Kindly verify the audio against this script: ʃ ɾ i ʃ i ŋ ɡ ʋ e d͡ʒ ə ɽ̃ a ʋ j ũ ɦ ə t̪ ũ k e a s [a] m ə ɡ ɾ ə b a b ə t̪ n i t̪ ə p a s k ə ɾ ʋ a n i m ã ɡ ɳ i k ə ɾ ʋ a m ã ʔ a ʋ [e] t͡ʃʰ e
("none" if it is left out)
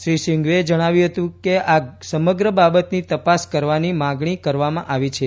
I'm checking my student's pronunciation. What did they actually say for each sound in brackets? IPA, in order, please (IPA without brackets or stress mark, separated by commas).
ə, i